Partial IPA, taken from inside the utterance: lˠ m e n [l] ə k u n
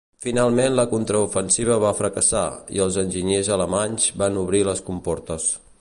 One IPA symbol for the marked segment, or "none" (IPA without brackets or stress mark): l